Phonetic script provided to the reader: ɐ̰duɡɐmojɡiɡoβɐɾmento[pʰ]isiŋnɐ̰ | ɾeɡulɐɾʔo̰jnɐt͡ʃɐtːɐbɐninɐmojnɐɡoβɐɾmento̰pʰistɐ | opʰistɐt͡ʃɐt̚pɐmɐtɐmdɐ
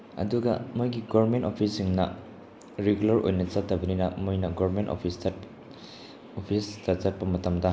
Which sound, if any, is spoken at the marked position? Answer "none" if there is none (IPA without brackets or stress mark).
pʰ